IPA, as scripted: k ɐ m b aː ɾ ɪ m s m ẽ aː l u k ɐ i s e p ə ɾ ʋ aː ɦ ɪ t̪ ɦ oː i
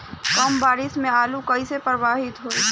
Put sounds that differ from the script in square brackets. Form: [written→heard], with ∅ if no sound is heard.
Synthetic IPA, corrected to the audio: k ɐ m b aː ɾ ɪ [m→∅] s m ẽ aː l u k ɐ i s e p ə ɾ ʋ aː ɦ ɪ t̪ ɦ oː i